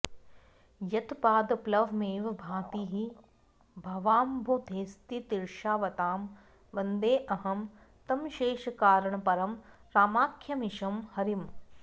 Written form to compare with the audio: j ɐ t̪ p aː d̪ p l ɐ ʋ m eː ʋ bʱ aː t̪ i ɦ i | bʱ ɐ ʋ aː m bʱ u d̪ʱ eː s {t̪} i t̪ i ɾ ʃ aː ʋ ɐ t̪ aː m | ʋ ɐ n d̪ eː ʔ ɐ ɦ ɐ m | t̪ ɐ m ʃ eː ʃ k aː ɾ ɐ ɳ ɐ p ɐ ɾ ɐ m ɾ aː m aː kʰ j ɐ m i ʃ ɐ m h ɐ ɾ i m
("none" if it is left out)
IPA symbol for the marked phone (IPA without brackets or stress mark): t̪